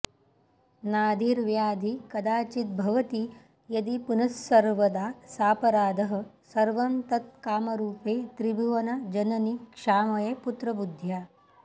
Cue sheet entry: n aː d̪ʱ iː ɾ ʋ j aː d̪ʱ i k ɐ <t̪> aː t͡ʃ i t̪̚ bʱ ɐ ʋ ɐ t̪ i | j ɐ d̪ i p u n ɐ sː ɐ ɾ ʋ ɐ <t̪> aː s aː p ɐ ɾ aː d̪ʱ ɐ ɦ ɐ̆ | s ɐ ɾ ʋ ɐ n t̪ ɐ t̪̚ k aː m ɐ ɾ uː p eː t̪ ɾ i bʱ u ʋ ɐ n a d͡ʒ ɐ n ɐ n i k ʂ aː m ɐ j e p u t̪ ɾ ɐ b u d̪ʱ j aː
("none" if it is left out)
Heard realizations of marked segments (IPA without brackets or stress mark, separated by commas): d̪, d̪